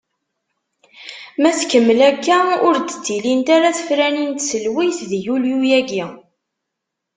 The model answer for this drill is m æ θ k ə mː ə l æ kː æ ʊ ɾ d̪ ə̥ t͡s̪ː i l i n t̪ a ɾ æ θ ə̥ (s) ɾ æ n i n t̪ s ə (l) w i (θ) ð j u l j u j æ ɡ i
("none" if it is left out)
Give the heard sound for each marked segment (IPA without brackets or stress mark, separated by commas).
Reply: f, l, θ